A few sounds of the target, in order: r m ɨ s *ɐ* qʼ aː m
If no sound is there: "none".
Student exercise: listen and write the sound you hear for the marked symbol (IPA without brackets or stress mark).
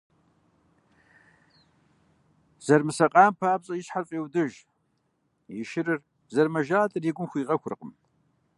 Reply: ɐ